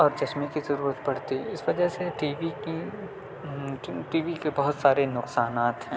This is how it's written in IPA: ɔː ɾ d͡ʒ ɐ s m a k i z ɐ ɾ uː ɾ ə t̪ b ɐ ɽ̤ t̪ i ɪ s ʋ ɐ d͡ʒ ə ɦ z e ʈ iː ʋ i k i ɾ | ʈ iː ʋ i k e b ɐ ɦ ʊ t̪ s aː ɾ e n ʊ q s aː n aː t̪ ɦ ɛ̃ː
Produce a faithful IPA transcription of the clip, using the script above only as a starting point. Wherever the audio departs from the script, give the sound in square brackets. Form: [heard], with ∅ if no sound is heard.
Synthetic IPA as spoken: ɔː ɾ d͡ʒ ɐ s m [i] k i z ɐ ɾ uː ɾ ə t̪ b ɐ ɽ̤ t̪ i ɪ s ʋ ɐ d͡ʒ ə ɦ [s] e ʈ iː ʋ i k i [∅] | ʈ iː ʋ i k e b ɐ ɦ ʊ t̪ s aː ɾ e n ʊ q s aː n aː t̪ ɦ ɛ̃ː

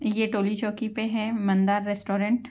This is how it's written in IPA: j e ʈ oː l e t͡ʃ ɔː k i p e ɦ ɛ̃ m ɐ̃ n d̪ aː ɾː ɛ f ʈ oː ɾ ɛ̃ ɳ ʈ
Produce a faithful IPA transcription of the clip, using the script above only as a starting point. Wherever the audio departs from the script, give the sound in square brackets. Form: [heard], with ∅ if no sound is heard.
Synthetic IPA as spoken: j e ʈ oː l [i] t͡ʃ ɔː k i p e ɦ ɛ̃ m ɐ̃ n d̪ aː ɾː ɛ [s] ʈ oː ɾ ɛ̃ ɳ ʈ

